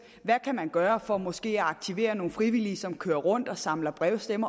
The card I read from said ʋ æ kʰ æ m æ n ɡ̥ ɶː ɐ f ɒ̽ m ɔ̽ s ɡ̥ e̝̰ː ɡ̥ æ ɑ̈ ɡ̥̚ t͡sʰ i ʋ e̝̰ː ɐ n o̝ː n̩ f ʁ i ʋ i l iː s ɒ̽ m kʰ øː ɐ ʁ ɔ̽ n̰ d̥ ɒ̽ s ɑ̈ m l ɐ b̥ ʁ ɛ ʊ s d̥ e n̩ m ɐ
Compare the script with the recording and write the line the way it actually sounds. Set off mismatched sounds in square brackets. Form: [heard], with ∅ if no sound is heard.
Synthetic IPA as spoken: ʋ æ kʰ æ m æ n ɡ̥ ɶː ɐ f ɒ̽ m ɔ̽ s ɡ̥ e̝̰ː [∅] æ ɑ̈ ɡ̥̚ t͡sʰ i ʋ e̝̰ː ɐ n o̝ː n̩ f ʁ i ʋ i l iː s ɒ̽ m kʰ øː ɐ ʁ ɔ̽ n̰ d̥ ɒ̽ s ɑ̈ m l ɐ b̥ ʁ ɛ ʊ s d̥ e [∅] m ɐ